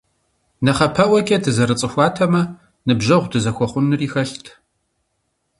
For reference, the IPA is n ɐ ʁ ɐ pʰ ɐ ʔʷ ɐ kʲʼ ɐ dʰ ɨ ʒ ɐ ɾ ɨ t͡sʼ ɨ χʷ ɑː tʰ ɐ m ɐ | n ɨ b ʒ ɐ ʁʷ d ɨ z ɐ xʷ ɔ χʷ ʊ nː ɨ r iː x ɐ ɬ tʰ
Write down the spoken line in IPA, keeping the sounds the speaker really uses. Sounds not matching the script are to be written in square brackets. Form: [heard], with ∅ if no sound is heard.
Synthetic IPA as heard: n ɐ [χ] ɐ pʰ ɐ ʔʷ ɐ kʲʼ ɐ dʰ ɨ [z] ɐ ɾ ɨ t͡sʼ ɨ [xʷ] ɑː tʰ ɐ m ɐ | n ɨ b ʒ ɐ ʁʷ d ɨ z ɐ xʷ ɔ χʷ ʊ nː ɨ r iː x ɐ ɬ tʰ